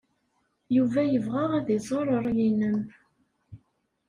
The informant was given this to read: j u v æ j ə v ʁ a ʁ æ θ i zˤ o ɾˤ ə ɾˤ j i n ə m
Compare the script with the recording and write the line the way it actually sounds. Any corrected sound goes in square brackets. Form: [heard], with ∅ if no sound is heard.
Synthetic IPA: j u v æ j ə v ʁ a ʁ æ [ð] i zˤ o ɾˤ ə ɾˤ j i n ə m